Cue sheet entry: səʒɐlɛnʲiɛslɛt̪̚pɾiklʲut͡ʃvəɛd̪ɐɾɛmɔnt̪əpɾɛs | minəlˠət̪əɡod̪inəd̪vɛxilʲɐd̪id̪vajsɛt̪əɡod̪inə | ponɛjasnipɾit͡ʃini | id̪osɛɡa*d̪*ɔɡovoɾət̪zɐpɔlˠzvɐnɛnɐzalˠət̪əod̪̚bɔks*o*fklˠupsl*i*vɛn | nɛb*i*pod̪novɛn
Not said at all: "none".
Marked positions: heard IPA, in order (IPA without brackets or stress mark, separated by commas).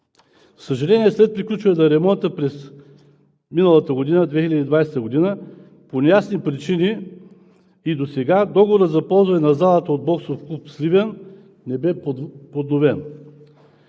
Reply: d̪, o, i, ɛ